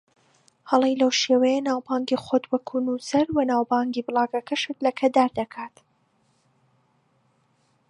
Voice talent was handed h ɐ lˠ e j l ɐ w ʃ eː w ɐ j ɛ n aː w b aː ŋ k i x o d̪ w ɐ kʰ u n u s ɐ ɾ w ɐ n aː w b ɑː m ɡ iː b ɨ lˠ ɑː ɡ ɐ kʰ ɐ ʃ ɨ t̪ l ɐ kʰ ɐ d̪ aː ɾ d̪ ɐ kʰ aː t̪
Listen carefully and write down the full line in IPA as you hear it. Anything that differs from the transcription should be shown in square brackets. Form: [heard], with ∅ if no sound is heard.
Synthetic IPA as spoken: h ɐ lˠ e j l ɐ w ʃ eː w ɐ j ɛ n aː w b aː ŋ [ɡ] i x o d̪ w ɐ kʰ u n u s ɐ ɾ w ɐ n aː w b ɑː [ŋ] ɡ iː b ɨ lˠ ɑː ɡ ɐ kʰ ɐ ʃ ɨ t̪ l ɐ kʰ ɐ d̪ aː ɾ d̪ ɐ kʰ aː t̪